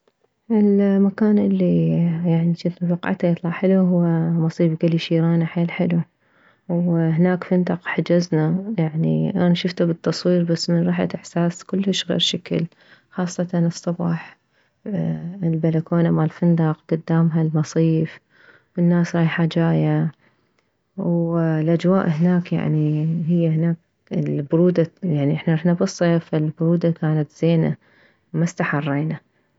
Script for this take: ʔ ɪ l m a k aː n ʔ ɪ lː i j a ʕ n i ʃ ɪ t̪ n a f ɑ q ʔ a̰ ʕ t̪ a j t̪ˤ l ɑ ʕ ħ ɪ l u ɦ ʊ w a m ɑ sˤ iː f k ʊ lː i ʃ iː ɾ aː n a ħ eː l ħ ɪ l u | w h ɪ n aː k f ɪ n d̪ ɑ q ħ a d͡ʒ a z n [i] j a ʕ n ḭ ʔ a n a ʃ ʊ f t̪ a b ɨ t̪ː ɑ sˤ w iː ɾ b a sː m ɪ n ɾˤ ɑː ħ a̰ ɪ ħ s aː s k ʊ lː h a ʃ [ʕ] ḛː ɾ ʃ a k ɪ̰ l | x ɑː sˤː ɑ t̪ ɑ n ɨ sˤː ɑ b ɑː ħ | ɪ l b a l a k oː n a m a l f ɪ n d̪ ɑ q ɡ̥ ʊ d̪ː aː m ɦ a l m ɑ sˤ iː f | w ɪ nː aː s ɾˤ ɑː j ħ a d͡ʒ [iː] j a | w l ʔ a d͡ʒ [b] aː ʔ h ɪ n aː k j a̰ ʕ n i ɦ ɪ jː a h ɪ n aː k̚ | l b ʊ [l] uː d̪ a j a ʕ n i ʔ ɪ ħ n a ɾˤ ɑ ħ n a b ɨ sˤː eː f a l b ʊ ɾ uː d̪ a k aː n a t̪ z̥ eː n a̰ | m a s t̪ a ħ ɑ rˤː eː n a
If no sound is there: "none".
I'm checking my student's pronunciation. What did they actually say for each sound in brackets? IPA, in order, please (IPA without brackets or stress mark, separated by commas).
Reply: a, ɣ, aː, w, ɾ